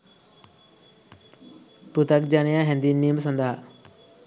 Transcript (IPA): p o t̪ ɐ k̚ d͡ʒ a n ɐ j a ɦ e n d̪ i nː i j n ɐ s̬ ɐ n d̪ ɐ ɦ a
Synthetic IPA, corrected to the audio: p u t̪ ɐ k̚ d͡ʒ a n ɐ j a ɦ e n d̪ i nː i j m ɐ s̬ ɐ n d̪ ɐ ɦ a